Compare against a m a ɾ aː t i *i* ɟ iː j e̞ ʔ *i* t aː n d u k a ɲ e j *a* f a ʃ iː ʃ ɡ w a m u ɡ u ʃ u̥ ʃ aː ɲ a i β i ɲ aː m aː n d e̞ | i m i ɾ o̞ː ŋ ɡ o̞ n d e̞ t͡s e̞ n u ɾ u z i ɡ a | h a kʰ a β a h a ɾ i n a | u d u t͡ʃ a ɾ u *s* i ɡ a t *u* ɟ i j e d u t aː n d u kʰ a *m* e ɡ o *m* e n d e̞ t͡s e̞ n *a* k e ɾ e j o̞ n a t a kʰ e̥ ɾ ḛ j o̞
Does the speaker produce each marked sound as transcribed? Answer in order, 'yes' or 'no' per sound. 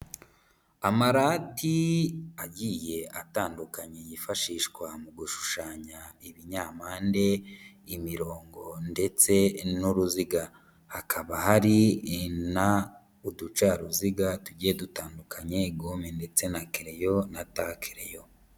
no, no, no, no, yes, no, yes, yes

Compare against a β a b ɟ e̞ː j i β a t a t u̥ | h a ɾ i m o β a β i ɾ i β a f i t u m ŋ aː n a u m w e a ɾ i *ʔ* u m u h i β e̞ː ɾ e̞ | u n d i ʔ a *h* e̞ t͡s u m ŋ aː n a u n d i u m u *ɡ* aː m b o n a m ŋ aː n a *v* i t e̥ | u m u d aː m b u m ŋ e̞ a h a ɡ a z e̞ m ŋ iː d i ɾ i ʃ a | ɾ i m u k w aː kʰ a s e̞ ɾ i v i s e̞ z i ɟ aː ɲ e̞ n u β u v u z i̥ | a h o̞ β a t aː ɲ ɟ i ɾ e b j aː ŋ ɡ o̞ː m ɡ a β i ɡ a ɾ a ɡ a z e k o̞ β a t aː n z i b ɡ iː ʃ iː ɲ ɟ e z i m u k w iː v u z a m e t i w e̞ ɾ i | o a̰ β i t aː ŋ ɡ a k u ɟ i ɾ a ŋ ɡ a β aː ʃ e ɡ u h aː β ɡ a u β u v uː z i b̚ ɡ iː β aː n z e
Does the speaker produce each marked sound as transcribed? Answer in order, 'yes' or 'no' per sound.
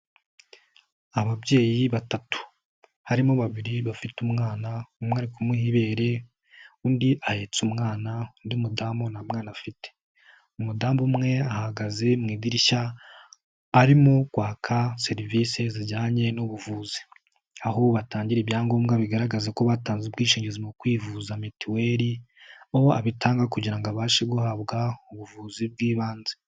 no, yes, no, no

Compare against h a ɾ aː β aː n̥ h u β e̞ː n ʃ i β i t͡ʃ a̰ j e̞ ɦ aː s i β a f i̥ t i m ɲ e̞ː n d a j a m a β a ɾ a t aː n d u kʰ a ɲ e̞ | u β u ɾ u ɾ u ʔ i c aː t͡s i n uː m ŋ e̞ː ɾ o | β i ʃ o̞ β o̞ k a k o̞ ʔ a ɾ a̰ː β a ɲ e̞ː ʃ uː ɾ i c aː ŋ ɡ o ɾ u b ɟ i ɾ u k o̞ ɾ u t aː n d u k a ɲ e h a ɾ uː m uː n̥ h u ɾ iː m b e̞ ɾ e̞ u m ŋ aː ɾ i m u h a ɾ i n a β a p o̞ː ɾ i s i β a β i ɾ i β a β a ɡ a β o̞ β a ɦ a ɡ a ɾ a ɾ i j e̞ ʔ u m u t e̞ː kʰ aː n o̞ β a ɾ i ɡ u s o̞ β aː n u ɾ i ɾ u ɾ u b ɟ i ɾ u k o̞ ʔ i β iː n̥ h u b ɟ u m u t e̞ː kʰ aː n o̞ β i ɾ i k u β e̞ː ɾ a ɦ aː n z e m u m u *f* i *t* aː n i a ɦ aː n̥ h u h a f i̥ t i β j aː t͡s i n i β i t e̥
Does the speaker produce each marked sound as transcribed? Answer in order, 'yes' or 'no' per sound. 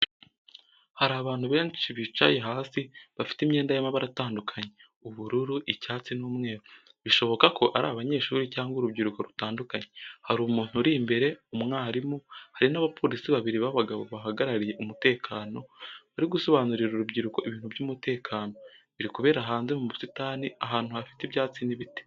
no, yes

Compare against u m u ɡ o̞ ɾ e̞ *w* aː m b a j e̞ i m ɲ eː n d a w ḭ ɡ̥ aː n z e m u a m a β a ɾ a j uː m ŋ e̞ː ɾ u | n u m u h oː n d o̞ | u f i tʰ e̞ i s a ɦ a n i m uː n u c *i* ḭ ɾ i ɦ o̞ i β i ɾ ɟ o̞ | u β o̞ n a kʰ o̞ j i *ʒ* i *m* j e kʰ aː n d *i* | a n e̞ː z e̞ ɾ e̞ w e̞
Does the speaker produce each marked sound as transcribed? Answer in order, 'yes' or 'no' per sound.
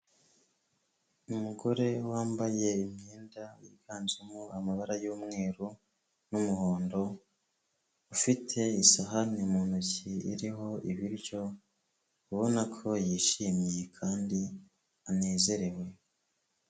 yes, yes, no, yes, yes

